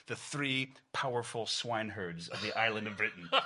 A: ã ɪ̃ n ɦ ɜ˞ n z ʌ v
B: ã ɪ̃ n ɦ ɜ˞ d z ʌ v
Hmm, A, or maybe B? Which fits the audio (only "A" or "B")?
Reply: B